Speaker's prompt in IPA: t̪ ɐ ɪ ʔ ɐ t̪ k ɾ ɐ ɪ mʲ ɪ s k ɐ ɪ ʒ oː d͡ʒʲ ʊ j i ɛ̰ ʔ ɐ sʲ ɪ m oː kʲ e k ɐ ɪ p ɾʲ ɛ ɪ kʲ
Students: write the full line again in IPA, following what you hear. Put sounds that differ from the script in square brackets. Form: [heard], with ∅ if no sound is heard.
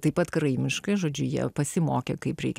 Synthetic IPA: t̪ ɐ ɪ [p] ɐ t̪ k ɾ ɐ ɪ mʲ ɪ [ʃ] k ɐ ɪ ʒ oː d͡ʒʲ ʊ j i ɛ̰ [p] ɐ sʲ ɪ m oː kʲ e k ɐ ɪ p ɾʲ ɛ ɪ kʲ